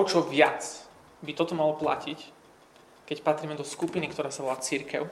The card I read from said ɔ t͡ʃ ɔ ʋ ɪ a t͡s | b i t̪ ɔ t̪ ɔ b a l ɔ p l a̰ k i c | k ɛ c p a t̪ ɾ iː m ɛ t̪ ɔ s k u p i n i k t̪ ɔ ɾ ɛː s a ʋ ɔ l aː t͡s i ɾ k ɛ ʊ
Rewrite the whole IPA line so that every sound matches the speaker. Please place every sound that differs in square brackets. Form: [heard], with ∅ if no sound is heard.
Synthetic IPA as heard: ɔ t͡ʃ ɔ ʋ ɪ a t͡s | b i t̪ ɔ t̪ ɔ [m] a l ɔ p l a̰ [c] i c | k ɛ c p a t̪ ɾ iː m ɛ [d̪] ɔ s k u p i n i k t̪ ɔ ɾ [aː] s a ʋ ɔ l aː t͡s i ɾ k ɛ ʊ